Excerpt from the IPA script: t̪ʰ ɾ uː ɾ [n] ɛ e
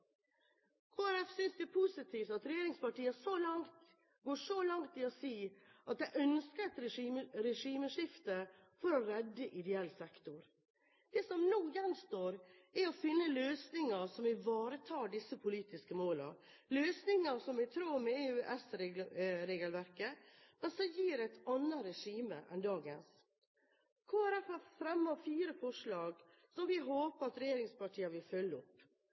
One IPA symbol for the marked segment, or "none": m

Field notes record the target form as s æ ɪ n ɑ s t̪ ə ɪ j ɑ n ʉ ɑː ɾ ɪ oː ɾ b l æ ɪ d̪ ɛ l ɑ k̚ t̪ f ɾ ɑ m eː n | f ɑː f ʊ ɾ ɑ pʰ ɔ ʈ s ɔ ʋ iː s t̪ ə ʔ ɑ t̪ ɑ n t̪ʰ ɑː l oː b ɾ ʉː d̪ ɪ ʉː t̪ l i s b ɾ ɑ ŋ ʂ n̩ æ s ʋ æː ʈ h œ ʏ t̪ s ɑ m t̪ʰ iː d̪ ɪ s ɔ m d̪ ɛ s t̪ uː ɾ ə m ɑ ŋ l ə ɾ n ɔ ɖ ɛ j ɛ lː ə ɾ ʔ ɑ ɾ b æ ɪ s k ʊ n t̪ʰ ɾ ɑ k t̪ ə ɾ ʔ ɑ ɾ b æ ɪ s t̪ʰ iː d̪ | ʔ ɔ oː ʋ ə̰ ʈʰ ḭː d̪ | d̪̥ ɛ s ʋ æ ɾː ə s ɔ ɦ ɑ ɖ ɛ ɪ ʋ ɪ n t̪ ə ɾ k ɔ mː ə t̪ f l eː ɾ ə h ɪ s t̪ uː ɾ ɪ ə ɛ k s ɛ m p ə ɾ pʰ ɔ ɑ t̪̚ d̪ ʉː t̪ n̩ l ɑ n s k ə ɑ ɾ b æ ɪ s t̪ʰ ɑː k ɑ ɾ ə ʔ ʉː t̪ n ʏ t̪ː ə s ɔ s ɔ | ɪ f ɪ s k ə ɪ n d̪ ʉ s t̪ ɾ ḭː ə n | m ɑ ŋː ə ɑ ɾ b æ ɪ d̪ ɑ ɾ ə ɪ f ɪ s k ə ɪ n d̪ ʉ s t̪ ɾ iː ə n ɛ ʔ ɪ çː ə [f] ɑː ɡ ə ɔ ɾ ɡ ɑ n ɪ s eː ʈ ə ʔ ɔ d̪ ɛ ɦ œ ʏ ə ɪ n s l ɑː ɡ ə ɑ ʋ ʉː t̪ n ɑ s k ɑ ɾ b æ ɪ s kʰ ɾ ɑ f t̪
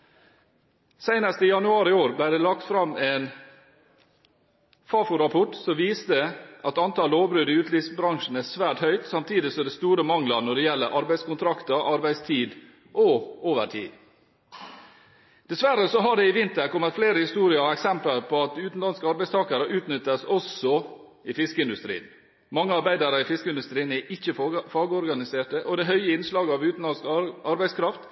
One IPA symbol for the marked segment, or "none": f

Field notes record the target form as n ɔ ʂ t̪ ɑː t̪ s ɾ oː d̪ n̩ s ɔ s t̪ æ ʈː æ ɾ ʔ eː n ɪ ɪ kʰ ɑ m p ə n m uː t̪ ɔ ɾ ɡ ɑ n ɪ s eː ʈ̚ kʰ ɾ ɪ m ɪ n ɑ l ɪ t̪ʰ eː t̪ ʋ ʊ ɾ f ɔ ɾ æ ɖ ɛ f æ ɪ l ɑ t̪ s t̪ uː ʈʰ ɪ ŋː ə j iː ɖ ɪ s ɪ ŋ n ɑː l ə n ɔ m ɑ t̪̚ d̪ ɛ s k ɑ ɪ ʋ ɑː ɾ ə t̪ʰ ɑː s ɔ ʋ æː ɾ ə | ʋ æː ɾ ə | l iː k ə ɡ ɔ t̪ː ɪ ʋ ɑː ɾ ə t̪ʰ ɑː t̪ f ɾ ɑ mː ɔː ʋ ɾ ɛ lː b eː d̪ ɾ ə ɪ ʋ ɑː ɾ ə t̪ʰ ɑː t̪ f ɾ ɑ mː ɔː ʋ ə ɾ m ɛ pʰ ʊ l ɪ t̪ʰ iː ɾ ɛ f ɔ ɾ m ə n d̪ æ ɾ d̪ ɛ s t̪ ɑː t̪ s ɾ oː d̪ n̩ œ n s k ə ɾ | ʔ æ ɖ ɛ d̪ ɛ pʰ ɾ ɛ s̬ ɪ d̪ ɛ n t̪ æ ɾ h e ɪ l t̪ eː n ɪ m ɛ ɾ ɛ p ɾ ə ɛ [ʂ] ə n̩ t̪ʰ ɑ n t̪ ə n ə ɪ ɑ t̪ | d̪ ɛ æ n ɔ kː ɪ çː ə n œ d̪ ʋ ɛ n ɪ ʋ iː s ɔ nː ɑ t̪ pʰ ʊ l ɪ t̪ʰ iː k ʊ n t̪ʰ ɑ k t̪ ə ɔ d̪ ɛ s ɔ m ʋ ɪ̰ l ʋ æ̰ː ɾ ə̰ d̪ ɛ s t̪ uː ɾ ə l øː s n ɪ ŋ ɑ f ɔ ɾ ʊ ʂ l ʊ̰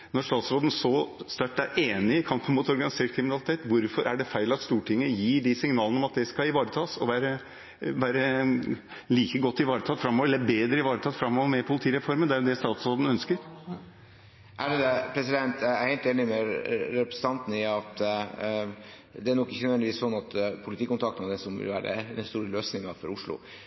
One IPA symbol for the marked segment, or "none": s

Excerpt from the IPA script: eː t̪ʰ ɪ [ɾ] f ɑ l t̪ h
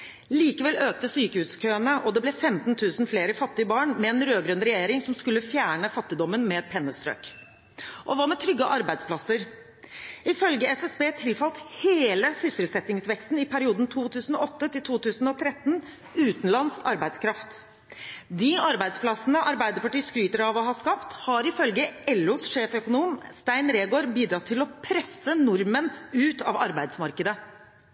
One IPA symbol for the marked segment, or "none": l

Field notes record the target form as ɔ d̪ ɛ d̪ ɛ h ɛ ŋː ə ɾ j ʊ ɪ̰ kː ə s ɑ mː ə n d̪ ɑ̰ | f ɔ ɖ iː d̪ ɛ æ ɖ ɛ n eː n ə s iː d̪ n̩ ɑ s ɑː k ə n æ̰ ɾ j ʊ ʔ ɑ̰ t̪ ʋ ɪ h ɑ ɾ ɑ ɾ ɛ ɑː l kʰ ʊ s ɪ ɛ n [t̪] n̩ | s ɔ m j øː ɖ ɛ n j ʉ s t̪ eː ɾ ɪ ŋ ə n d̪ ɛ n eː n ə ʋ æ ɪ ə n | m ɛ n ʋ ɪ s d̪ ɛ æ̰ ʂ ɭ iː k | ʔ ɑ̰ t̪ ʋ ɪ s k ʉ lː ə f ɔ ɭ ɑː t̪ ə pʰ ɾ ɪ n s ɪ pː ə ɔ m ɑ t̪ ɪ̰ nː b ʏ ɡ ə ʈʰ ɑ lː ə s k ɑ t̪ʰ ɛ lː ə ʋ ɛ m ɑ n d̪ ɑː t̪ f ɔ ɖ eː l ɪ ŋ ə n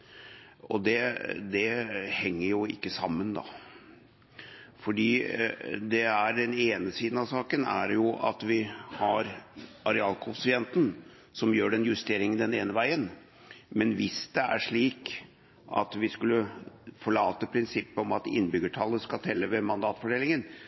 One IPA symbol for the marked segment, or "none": t̪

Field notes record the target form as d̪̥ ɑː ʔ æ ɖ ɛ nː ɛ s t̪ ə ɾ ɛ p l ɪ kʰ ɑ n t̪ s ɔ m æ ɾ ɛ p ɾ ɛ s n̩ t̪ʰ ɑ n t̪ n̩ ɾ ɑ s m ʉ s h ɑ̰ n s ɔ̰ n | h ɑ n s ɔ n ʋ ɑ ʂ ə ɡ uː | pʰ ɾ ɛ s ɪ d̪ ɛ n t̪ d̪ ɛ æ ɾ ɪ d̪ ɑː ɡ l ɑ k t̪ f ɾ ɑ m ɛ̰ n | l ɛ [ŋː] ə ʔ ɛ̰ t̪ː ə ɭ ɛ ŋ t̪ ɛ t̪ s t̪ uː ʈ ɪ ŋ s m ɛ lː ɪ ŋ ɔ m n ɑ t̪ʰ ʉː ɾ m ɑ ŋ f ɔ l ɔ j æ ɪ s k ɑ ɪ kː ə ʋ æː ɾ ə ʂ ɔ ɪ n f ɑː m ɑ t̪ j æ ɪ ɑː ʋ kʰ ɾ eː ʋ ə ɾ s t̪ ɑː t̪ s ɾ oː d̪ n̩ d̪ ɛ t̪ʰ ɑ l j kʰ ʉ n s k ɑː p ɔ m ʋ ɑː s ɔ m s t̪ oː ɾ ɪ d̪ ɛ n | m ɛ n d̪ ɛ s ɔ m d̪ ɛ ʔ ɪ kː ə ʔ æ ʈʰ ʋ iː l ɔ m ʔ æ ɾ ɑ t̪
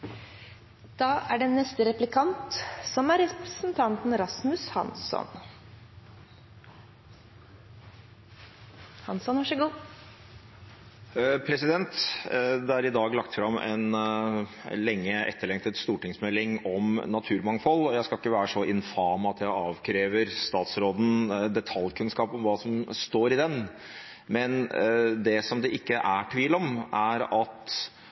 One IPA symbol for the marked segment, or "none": ŋː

